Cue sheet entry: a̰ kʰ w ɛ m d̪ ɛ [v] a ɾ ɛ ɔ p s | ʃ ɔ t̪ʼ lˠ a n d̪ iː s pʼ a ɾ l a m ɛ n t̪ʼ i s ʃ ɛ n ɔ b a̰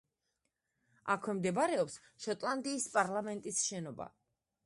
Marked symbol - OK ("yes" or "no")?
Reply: no